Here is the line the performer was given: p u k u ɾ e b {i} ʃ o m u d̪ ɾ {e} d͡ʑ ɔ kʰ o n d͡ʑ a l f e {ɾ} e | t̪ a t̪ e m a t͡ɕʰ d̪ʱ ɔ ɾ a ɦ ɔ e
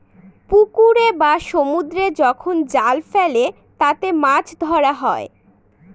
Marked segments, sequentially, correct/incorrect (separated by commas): incorrect, correct, incorrect